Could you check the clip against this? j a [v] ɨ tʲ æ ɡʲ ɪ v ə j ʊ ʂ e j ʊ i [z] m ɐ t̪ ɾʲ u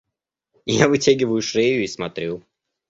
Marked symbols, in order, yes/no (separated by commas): yes, no